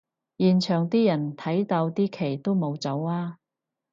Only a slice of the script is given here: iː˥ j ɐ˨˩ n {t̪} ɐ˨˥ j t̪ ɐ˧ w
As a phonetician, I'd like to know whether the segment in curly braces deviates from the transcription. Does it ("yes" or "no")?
yes